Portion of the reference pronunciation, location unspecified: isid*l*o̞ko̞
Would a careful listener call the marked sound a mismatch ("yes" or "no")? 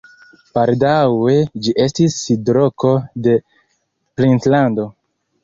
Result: yes